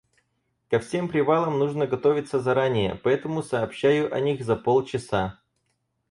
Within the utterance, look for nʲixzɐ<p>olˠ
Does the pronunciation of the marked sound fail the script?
no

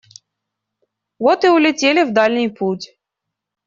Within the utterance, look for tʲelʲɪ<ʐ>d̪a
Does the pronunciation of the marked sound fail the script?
yes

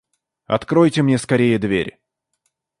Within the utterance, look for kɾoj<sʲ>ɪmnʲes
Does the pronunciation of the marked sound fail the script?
yes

